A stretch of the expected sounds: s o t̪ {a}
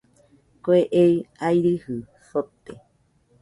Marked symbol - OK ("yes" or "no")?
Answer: no